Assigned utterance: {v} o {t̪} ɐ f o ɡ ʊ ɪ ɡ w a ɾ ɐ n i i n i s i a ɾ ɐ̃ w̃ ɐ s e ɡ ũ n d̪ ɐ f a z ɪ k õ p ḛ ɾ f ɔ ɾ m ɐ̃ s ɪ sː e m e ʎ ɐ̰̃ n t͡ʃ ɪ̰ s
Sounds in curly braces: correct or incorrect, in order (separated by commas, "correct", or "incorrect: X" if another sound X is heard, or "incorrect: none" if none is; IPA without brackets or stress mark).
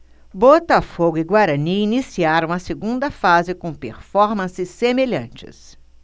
incorrect: b, correct